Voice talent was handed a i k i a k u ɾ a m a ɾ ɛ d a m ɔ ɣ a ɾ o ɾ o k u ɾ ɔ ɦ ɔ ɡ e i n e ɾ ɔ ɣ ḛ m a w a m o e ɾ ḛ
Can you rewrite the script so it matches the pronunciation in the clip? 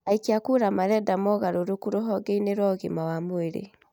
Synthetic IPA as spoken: a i k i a k u ɾ a m a ɾ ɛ d a m ɔ ɣ a ɾ o ɾ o k u ɾ o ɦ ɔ ɡ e i n e ɾ ɔ ɣ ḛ m a w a m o e ɾ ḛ